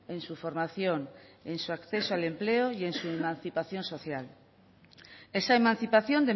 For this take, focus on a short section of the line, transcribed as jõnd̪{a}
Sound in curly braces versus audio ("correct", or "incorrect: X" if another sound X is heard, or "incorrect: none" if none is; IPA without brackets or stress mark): incorrect: e